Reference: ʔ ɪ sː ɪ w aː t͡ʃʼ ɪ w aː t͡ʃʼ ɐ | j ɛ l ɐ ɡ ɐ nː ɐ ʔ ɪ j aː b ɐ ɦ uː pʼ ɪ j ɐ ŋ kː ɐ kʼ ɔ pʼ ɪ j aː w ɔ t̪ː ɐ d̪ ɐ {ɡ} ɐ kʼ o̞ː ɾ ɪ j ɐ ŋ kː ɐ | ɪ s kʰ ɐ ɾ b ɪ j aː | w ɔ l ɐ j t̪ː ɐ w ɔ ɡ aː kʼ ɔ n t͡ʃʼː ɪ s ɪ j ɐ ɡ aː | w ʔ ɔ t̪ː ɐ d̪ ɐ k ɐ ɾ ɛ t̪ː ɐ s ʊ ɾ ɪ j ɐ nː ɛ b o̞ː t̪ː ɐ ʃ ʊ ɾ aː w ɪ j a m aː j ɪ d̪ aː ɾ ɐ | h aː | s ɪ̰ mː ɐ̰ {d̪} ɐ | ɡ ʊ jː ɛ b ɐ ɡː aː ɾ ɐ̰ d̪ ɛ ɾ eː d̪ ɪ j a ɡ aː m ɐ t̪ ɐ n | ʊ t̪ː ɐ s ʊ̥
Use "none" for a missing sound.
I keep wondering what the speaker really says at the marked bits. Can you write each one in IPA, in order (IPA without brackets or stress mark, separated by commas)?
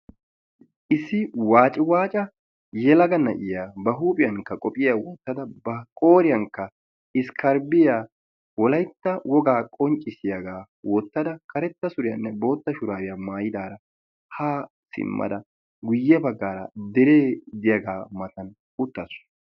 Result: b, d̪